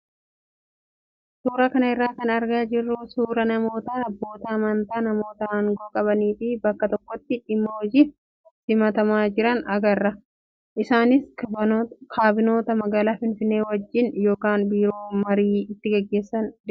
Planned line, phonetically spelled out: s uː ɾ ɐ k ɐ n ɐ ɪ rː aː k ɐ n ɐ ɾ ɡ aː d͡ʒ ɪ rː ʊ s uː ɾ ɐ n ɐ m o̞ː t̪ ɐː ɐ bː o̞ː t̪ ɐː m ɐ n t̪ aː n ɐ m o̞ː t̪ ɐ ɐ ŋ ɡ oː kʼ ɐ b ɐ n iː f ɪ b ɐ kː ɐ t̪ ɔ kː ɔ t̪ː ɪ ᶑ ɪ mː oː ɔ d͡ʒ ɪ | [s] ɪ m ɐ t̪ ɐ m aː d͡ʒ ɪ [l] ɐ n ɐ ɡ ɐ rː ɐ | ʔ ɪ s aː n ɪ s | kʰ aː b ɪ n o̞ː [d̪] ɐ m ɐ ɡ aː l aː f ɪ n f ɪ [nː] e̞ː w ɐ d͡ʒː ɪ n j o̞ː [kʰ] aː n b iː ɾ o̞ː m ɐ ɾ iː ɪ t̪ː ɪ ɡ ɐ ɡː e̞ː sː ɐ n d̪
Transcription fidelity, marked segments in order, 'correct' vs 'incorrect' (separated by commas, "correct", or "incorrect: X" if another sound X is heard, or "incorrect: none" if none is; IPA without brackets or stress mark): correct, incorrect: ɾ, incorrect: t̪, correct, incorrect: k